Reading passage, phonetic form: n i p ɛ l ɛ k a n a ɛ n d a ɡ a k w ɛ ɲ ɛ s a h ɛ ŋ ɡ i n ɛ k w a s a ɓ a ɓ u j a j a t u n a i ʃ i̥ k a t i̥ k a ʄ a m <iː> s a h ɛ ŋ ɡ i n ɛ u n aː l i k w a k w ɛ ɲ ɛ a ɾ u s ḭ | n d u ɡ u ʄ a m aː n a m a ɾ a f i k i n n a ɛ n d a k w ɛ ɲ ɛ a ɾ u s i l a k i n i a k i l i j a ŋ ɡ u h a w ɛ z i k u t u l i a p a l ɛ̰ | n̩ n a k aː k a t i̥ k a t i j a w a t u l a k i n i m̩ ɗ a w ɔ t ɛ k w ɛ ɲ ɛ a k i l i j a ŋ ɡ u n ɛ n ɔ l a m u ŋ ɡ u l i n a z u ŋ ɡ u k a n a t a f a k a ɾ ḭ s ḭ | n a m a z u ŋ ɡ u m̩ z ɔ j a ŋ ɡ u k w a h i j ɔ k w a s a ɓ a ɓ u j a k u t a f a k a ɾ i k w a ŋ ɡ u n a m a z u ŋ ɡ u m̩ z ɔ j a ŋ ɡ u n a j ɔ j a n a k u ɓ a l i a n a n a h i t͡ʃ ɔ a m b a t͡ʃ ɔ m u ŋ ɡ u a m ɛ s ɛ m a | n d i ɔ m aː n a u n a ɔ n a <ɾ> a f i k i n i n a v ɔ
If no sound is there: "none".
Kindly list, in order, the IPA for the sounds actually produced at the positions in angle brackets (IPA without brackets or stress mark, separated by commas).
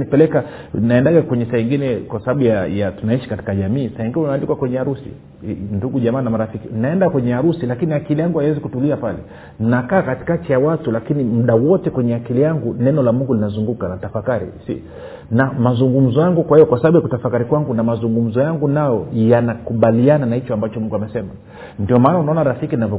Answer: iː, ɾ